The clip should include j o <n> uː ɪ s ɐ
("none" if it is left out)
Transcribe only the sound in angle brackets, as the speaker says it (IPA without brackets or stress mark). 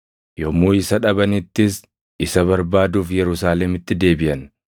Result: m